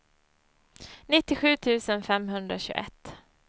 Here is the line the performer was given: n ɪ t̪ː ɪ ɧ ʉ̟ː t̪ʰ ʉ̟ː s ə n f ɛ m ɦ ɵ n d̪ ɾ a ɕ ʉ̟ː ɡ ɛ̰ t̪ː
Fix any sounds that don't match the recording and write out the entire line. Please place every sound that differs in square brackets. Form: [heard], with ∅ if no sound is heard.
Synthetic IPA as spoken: n ɪ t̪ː ɪ ɧ ʉ̟ː t̪ʰ ʉ̟ː s ə n f ɛ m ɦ ɵ n d̪ ɾ a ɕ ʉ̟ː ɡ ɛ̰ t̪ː